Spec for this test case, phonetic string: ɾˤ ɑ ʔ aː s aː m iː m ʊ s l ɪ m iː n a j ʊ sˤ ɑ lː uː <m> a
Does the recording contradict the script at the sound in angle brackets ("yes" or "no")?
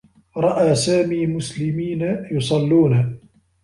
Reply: yes